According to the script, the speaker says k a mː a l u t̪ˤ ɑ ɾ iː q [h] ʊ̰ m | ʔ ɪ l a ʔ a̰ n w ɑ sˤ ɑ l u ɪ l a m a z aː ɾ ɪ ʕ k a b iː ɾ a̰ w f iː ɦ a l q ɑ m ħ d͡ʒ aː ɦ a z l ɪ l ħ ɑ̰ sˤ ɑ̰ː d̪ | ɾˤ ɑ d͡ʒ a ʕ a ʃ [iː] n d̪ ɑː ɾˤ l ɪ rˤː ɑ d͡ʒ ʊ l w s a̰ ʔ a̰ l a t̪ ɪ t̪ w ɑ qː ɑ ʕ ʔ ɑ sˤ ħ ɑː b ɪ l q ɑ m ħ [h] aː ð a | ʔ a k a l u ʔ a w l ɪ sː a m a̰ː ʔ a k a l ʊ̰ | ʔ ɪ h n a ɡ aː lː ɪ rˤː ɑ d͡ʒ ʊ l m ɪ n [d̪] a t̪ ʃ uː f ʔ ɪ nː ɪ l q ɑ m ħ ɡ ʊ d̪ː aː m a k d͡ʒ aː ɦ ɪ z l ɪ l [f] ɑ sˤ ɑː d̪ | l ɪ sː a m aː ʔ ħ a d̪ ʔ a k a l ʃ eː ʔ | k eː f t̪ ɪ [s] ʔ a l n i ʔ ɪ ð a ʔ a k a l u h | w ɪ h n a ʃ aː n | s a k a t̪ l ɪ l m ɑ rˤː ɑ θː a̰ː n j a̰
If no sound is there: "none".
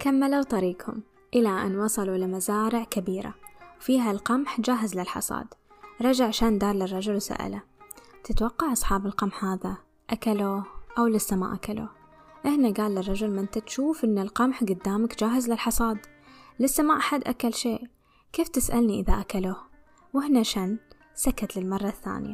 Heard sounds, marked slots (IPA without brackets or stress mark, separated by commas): h, aː, h, t̪, ħ, s